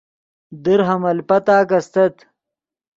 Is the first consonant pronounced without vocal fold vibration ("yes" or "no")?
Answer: no